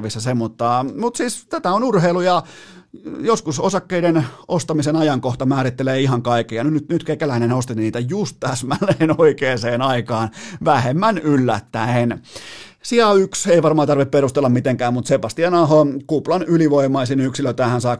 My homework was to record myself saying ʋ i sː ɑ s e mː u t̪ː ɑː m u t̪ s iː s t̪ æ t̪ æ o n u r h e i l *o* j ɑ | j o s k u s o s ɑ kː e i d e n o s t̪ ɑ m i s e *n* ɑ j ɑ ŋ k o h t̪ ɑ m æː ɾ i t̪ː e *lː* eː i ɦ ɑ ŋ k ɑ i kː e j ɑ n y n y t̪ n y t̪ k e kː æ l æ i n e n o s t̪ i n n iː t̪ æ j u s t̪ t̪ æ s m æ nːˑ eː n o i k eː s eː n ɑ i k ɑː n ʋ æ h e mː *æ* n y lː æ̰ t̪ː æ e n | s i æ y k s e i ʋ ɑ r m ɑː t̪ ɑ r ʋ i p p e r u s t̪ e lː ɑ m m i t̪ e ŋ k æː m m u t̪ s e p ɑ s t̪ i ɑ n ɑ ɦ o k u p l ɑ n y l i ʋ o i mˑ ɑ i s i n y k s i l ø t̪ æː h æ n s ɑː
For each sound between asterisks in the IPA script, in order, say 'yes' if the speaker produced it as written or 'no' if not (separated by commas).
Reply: no, yes, no, yes